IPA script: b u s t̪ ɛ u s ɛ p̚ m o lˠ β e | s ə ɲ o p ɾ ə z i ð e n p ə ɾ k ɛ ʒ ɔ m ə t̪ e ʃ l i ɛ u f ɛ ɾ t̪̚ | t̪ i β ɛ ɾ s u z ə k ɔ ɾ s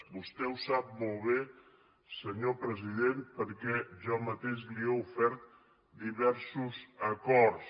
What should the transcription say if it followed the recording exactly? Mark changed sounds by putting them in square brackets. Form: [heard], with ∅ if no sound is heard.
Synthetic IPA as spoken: b u s t̪ ɛ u s [a] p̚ m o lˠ β e | s ə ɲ o p ɾ ə z i ð e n p ə ɾ k ɛ ʒ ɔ m ə t̪ e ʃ l i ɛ u f ɛ ɾ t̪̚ | [d̪] i β ɛ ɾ s u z ə k ɔ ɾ s